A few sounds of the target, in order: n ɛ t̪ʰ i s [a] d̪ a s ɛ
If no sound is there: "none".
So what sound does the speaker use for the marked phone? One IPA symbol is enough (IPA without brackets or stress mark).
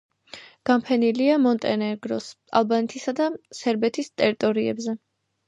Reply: a